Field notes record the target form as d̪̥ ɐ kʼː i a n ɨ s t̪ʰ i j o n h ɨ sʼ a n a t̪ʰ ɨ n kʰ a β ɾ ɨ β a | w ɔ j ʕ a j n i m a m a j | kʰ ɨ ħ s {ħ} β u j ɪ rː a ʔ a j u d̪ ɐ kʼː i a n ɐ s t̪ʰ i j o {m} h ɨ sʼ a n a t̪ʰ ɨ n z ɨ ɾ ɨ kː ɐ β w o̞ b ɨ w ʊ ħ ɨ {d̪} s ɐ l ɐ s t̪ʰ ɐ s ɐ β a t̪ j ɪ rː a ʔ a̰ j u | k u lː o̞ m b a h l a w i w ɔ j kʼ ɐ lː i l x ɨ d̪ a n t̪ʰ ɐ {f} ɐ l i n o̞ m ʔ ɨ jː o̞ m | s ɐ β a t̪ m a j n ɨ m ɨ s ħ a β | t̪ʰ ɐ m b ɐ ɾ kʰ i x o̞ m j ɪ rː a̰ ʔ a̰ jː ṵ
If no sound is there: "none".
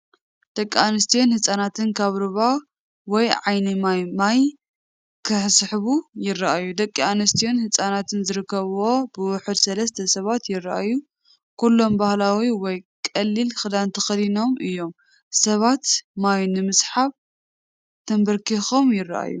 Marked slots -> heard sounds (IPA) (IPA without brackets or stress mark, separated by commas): ħ, n, d̪, x